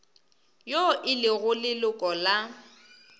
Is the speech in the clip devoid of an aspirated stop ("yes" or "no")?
yes